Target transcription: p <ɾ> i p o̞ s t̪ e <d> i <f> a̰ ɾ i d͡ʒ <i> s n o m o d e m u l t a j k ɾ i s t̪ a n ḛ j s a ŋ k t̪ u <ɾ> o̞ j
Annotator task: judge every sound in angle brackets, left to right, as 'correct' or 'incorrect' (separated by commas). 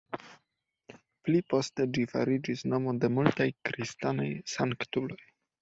incorrect, incorrect, correct, correct, incorrect